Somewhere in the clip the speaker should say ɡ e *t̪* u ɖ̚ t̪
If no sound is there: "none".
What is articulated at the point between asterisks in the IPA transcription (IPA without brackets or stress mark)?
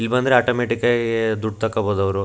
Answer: d̪